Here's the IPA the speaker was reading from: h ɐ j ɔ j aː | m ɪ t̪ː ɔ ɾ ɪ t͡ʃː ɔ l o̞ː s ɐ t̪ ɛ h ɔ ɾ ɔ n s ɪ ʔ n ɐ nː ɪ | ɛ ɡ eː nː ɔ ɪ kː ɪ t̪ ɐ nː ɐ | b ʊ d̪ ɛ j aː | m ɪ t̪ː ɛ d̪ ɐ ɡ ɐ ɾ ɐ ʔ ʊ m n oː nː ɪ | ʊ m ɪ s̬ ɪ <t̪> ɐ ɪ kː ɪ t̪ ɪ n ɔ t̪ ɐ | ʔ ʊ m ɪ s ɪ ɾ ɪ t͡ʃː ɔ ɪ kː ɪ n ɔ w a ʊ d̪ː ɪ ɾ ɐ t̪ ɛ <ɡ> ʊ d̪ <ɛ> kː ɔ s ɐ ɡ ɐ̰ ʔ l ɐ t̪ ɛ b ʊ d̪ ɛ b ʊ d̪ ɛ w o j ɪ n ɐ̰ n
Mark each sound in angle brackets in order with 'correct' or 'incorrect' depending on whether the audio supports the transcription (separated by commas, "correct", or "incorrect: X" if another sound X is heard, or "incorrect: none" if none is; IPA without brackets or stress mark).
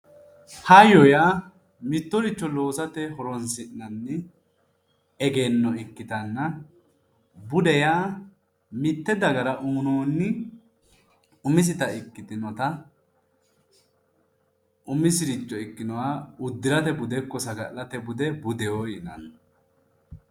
correct, incorrect: b, correct